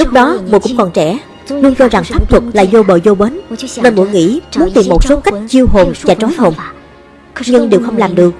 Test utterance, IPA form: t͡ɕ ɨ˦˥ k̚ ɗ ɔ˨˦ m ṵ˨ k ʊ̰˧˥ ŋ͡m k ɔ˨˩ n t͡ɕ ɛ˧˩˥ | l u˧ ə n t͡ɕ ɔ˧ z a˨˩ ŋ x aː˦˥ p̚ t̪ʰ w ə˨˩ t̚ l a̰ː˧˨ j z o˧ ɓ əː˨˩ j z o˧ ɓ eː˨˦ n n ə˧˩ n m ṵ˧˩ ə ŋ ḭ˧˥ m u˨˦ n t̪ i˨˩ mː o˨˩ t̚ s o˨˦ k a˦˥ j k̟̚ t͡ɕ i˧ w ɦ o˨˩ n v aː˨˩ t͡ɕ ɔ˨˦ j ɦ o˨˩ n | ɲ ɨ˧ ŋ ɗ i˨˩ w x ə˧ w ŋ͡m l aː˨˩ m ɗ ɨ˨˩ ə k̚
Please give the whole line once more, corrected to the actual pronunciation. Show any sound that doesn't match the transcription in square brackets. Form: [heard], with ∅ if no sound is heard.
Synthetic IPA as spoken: t͡ɕ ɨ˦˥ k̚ ɗ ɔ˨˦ m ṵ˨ k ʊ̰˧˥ ŋ͡m k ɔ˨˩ n t͡ɕ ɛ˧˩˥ | l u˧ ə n t͡ɕ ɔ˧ z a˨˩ ŋ [f] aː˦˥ p̚ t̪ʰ w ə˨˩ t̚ l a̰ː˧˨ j z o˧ ɓ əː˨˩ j z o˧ ɓ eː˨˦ n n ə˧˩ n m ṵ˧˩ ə ŋ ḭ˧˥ m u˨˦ n t̪ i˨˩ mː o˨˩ t̚ s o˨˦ k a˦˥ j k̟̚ t͡ɕ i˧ w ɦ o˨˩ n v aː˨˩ t͡ɕ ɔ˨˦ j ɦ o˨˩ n | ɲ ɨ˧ ŋ ɗ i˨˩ w x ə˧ w ŋ͡m l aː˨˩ m ɗ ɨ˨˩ ə k̚